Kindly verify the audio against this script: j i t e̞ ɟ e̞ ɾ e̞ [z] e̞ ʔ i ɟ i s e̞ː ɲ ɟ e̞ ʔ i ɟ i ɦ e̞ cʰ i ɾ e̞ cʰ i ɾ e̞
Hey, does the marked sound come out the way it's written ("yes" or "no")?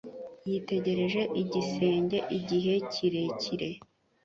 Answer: no